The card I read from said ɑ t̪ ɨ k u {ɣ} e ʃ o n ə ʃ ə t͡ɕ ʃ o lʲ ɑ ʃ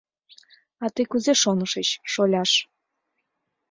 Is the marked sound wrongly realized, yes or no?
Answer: yes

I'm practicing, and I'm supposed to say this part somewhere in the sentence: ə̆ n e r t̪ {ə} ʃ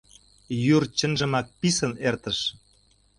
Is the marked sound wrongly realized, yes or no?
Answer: no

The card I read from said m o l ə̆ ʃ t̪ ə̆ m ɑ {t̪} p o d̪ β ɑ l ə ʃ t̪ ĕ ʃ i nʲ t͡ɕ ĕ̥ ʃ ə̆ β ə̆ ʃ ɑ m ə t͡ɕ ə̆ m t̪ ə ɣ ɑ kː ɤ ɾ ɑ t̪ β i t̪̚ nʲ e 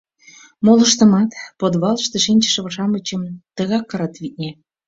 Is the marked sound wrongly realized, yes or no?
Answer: no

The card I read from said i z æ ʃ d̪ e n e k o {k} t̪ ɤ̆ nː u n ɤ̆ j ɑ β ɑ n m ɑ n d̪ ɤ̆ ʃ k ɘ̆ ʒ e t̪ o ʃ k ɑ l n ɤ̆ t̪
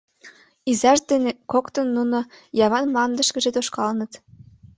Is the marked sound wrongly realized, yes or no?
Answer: no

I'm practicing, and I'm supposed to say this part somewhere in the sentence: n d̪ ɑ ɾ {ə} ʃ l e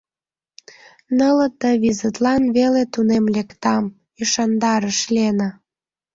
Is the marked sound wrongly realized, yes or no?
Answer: no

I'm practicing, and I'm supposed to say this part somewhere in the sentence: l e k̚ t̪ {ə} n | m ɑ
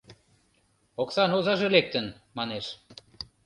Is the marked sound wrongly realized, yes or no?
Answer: no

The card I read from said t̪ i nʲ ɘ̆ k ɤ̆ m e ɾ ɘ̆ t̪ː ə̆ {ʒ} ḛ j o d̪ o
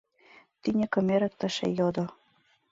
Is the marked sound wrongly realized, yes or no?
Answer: yes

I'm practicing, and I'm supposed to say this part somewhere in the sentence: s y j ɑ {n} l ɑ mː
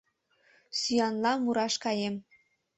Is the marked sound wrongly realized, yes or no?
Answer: no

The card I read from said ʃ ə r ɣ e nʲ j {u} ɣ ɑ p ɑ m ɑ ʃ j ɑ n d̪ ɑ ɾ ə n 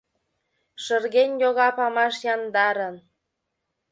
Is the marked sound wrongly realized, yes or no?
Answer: yes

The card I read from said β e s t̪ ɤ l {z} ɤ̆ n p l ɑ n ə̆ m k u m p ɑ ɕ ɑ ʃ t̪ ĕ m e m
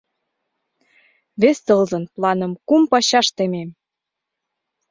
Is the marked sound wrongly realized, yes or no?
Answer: no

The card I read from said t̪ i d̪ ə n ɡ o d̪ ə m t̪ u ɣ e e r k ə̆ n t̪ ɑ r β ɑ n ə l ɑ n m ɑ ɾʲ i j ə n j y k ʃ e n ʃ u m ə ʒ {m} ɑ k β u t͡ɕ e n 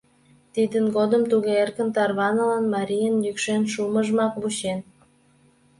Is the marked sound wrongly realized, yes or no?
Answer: no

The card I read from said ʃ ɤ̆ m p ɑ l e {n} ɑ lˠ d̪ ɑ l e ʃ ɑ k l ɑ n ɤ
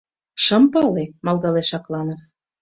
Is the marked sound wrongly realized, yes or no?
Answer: yes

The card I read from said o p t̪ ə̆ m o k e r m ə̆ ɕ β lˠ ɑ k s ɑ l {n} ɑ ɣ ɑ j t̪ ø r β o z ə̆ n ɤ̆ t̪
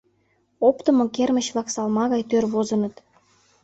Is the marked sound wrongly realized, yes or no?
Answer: yes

